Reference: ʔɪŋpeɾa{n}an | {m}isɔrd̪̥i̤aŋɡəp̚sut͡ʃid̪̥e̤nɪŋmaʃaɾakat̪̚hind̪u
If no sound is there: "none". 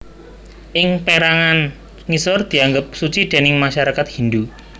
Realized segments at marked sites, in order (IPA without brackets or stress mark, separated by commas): ŋ, ŋ